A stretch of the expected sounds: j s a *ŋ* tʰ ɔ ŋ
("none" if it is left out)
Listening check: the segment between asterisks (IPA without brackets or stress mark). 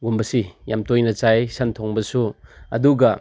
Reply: n